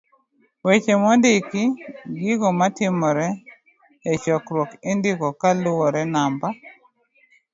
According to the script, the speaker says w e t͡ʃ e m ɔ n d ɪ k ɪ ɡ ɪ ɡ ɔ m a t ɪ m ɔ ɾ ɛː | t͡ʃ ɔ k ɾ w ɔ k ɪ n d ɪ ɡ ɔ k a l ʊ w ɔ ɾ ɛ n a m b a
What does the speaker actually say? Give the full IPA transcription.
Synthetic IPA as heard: w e t͡ʃ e m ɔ n d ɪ k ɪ ɡ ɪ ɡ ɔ m a t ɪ m ɔ ɾ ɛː | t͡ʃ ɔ k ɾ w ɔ k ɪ n d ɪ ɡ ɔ k a l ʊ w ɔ ɾ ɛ n a m b a

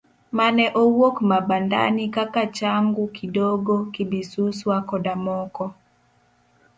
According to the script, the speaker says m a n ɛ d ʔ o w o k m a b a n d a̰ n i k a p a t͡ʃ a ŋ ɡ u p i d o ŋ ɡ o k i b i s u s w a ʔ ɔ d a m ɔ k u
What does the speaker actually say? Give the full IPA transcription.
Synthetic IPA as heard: m a n ɛ ʔ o w o k m a b a n d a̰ n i k a k a t͡ʃ a ŋ ɡ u k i d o ɡ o k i b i s u s w a k ɔ d a m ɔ k ɔ

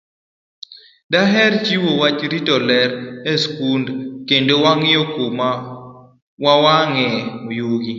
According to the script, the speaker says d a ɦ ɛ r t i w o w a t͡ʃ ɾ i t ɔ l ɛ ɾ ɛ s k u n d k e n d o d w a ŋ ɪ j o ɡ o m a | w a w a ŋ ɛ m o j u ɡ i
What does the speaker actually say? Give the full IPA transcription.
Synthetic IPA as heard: d a ɦ ɛ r t͡ʃ i w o w a t͡ʃ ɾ i t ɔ l ɛ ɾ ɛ s k u n d k e n d o w a ŋ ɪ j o k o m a | w a w a ŋ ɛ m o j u ɡ i

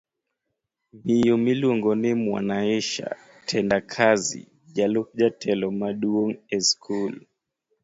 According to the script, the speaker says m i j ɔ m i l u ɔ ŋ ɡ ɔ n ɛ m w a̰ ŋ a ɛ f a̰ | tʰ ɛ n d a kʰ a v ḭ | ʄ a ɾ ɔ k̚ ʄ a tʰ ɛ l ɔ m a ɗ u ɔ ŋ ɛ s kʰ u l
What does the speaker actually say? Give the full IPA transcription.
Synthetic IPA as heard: m i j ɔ m i l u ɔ ŋ ɡ ɔ n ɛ m w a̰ n a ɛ ʃ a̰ | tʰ ɛ n d a kʰ a z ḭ | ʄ a l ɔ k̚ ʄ a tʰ ɛ l ɔ m a ɗ u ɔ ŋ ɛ s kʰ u l

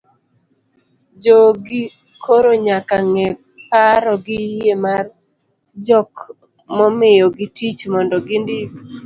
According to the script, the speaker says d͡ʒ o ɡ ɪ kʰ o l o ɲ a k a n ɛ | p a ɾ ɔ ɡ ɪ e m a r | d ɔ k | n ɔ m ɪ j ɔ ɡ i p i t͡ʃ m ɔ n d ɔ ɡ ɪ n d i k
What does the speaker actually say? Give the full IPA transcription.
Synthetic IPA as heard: d͡ʒ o ɡ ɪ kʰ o ɾ o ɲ a k a ŋ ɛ | p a ɾ ɔ ɡ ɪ e m a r | d͡ʒ ɔ k | m ɔ m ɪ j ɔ ɡ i t i t͡ʃ m ɔ n d ɔ ɡ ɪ n d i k

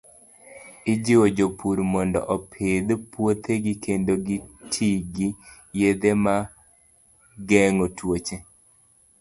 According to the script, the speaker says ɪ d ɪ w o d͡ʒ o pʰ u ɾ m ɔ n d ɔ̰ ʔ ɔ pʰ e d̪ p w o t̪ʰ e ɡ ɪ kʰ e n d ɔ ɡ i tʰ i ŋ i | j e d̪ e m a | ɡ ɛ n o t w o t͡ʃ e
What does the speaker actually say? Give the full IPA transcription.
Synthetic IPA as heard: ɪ d͡ʒ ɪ w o d͡ʒ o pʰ u ɾ m ɔ n d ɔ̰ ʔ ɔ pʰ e d̪ p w o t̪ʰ e ɡ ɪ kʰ e n d o ɡ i tʰ i ɡ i | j e d̪ e m a | ɡ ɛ ŋ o t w o t͡ʃ e

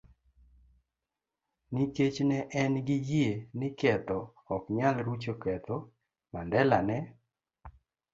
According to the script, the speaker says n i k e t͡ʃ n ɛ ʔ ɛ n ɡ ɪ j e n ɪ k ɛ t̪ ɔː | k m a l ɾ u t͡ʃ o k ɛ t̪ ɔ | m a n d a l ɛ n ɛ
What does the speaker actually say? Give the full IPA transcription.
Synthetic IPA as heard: n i k e t͡ʃ n ɛ ʔ ɛ n ɡ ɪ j e n ɪ k ɛ t̪ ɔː | k ɲ a l ɾ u t͡ʃ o k ɛ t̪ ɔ | m a n d ɛ l a n ɛ

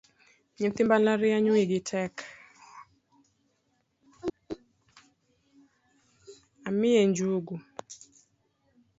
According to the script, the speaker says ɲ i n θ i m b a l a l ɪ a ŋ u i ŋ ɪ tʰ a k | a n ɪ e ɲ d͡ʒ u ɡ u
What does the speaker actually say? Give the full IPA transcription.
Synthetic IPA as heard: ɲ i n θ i m b a l a ɾ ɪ a ɲ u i ɡ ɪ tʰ ɛ k | a m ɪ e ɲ d͡ʒ u ɡ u

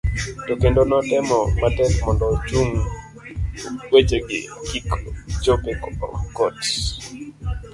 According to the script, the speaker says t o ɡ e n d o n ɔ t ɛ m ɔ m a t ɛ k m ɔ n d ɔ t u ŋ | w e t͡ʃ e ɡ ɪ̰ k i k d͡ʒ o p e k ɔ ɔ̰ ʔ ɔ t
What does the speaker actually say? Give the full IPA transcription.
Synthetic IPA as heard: t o k e n d o n ɔ t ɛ m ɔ m a t ɛ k m ɔ n d ɔ t͡ʃ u ŋ | w e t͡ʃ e ɡ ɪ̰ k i k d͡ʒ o p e k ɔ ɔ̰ k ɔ t

